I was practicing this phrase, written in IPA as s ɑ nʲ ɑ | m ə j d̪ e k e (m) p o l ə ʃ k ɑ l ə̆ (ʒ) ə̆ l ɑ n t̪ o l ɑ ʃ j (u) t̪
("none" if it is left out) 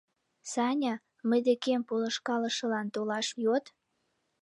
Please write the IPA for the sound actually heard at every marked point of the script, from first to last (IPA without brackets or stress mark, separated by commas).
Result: m, ʃ, o